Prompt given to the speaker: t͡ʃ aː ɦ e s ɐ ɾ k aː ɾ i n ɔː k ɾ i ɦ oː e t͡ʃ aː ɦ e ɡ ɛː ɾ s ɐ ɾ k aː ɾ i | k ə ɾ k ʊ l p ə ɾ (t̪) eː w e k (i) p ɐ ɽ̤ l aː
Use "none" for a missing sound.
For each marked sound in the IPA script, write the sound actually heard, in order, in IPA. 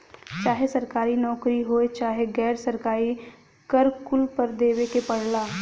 d̪, e

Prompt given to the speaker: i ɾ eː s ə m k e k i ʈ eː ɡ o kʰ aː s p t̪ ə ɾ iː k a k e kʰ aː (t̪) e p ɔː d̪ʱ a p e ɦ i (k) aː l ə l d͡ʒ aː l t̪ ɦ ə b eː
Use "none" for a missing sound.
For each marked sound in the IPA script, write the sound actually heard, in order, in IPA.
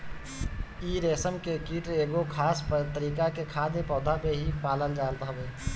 d̪, p

